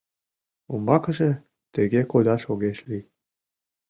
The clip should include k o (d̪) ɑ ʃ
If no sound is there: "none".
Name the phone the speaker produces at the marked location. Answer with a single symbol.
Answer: d̪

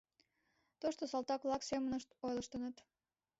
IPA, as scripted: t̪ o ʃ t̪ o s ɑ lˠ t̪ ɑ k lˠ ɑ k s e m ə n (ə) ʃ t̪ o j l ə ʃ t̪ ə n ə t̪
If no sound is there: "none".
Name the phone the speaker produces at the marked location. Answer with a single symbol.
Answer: ə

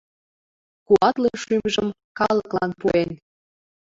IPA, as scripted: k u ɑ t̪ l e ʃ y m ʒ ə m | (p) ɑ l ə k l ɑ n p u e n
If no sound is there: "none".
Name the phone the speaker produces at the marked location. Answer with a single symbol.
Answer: k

